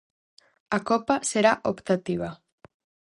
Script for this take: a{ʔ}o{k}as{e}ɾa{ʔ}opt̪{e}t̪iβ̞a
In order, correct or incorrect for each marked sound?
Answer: incorrect, incorrect, correct, correct, incorrect

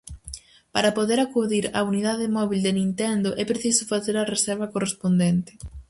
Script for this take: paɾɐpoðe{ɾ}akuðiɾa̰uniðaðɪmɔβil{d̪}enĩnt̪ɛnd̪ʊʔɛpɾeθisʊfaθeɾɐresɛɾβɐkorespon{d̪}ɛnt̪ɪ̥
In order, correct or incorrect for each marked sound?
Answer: correct, correct, correct

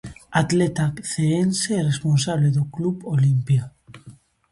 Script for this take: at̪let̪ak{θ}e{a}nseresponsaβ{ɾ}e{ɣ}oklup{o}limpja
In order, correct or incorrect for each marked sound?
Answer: correct, incorrect, incorrect, incorrect, correct

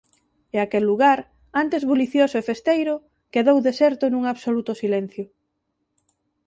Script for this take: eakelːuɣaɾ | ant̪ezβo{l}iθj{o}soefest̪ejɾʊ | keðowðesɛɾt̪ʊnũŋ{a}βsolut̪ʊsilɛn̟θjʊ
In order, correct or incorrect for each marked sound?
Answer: correct, correct, correct

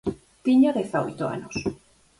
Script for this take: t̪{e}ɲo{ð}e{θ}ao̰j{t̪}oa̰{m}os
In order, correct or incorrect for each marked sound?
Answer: incorrect, correct, correct, correct, incorrect

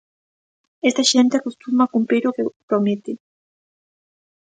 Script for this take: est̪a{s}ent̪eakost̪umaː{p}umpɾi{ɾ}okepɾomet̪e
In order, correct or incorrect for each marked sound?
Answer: incorrect, incorrect, correct

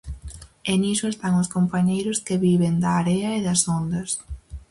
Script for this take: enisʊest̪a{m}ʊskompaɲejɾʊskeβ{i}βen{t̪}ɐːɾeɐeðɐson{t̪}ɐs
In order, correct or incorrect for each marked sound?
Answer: incorrect, correct, incorrect, incorrect

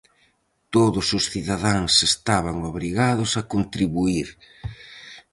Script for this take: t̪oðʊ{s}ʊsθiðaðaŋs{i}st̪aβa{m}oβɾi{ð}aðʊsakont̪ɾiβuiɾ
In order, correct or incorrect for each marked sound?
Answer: correct, incorrect, incorrect, incorrect

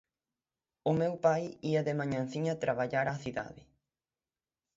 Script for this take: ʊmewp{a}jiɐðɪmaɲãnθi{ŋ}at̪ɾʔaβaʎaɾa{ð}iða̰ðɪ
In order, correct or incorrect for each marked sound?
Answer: correct, incorrect, incorrect

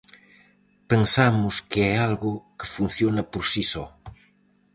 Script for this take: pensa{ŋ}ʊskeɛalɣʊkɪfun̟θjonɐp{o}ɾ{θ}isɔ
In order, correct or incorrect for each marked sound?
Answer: incorrect, correct, incorrect

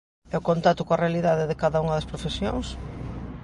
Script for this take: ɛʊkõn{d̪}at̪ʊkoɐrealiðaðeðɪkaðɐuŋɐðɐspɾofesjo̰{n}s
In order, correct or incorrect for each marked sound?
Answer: incorrect, incorrect

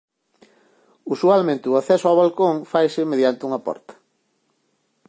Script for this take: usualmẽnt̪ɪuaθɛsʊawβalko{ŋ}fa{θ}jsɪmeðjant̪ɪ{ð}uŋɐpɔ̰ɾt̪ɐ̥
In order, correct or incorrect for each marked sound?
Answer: correct, incorrect, incorrect

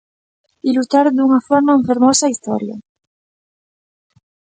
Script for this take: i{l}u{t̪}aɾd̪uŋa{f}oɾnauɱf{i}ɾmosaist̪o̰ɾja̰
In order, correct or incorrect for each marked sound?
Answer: correct, correct, correct, incorrect

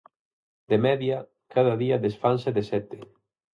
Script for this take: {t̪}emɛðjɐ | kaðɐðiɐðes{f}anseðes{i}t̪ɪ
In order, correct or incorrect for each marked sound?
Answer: incorrect, correct, incorrect

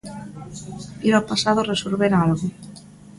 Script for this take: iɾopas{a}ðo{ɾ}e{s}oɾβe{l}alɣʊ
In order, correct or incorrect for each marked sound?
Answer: correct, incorrect, correct, incorrect

